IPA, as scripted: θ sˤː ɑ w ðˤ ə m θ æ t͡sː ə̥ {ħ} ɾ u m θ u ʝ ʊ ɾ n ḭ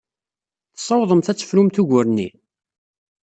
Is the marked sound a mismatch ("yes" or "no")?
yes